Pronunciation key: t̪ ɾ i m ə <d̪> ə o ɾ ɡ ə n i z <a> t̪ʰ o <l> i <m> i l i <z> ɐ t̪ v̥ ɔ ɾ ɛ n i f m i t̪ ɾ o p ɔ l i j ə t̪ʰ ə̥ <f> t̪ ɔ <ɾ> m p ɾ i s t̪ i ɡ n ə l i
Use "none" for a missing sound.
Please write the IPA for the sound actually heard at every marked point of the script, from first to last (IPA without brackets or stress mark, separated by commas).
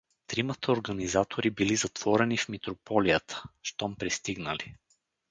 t̪, a, ɾ, b, z, ʃ, none